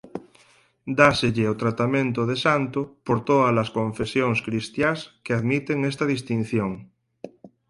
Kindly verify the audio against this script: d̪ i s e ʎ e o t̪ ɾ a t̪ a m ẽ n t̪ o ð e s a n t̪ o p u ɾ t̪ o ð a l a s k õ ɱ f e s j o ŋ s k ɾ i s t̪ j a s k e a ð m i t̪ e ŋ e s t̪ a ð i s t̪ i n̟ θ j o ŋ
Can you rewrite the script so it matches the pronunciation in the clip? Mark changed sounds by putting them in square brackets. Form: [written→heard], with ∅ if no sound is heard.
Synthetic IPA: d̪ [i→a] s e ʎ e o t̪ ɾ a t̪ a m ẽ n t̪ o ð e s a n t̪ o p [u→o] ɾ t̪ o ð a l a s k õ ɱ f e s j o ŋ s k ɾ i s t̪ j a s k e a ð m i t̪ e ŋ e s t̪ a ð i s t̪ i n̟ θ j o ŋ